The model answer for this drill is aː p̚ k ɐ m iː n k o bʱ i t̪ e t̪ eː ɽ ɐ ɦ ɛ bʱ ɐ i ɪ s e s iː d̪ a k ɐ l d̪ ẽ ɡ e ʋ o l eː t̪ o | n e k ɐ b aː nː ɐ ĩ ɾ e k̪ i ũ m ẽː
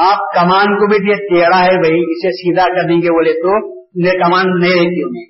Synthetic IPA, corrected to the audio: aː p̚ k ɐ m aː n k o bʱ i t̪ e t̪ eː ɽ a ɦ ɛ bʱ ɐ i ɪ s e s iː d̪ a k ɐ ɾ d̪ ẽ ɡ e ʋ o l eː t̪ o | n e k ɐ m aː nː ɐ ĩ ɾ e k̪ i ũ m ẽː